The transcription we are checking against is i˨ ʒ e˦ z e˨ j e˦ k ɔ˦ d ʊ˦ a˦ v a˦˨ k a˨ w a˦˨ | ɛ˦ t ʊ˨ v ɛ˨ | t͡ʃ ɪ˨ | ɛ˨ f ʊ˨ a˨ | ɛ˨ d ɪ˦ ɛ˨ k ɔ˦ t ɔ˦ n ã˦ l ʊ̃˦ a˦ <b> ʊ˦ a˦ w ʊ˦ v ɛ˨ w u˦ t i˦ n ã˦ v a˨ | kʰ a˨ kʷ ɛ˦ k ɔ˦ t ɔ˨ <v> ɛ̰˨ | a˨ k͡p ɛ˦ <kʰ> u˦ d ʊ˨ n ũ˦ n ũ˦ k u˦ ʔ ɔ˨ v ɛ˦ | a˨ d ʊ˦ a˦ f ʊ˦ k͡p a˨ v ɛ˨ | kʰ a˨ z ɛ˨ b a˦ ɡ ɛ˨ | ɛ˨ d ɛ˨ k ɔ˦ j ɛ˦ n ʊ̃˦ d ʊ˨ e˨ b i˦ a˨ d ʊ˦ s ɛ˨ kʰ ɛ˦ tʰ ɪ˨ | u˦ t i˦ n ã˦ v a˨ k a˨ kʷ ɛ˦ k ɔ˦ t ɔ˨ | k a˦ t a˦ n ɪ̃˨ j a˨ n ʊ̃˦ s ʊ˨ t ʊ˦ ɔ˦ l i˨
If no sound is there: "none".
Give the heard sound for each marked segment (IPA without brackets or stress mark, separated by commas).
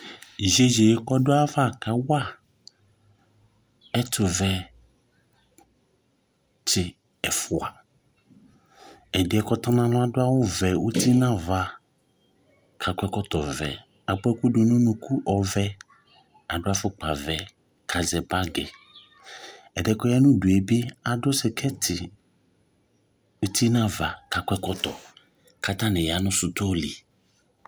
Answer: d, v, k